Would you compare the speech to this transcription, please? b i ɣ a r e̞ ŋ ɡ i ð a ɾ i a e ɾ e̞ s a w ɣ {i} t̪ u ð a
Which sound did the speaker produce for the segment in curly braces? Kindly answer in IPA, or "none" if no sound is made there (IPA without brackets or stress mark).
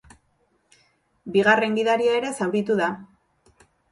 i